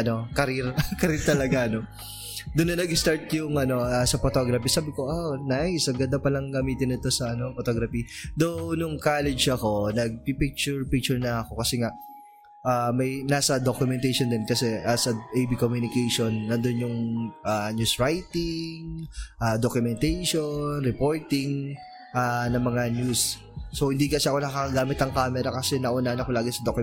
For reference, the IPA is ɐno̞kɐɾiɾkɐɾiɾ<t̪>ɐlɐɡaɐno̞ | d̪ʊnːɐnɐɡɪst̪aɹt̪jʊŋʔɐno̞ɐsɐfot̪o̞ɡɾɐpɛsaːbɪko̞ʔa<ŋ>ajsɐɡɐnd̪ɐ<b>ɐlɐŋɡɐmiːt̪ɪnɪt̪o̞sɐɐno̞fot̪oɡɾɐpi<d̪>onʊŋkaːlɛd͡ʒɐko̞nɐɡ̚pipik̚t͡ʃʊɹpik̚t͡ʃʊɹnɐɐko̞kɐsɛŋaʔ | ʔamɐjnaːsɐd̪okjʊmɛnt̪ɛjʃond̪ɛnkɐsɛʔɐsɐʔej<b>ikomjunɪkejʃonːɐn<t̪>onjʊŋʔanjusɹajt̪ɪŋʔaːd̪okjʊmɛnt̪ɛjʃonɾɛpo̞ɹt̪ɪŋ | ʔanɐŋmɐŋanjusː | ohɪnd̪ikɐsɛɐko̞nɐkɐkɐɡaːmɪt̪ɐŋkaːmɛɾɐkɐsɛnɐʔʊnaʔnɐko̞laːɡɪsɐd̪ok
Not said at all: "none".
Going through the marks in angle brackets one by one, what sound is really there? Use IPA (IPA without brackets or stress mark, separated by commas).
t̪, n, p, d̪, b, d̪